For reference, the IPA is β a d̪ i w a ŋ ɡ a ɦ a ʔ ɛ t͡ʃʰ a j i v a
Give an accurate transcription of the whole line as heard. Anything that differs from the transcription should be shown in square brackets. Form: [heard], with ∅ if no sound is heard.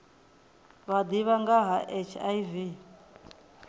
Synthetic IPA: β a d̪ i [β] a ŋ ɡ a ɦ a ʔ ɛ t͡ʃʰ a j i v [i]